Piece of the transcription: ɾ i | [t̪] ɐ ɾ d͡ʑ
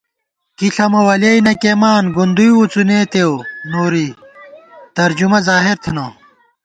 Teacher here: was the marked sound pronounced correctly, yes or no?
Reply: yes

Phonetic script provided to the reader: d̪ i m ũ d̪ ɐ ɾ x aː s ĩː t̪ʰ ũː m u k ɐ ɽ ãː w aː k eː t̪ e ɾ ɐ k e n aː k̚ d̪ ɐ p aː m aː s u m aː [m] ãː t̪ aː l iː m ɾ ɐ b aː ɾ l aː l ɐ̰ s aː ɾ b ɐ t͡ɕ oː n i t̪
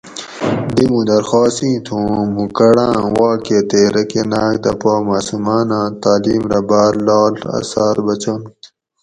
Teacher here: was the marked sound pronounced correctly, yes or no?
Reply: no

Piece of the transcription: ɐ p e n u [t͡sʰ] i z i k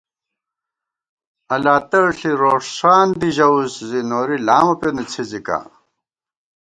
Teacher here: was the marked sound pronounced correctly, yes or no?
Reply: yes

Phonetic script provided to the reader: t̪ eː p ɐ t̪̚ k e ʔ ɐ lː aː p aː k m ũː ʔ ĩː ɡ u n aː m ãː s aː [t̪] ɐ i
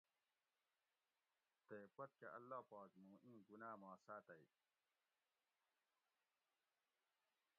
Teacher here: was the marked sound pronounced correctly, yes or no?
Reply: yes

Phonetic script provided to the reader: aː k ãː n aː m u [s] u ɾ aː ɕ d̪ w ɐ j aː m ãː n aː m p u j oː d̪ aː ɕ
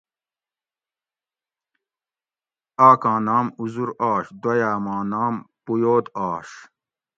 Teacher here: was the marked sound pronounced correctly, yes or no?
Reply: no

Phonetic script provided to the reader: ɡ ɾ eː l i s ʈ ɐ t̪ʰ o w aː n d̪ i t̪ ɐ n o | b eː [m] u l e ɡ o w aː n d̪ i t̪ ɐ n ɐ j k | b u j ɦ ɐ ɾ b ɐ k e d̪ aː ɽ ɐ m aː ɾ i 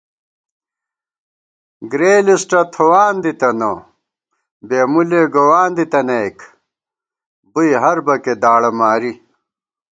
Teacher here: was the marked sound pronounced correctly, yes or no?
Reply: yes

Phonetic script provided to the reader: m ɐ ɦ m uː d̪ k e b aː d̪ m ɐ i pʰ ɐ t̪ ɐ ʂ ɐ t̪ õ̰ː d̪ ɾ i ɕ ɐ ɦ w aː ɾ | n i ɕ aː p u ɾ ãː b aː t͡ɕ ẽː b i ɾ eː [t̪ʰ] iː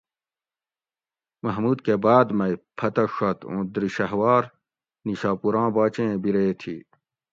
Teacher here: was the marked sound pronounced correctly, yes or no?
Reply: yes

